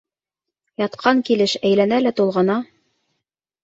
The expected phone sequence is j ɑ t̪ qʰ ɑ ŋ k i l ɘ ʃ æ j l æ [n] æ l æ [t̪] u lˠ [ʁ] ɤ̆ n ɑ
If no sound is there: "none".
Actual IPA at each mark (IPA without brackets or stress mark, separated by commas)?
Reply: n, t̪, ʁ